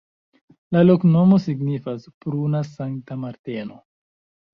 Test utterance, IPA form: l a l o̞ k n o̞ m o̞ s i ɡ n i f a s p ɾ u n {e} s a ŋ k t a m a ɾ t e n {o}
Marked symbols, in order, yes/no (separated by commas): no, yes